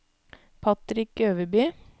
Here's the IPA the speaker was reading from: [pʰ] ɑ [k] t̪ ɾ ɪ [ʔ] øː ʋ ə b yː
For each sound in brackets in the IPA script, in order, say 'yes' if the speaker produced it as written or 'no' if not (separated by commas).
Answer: yes, no, no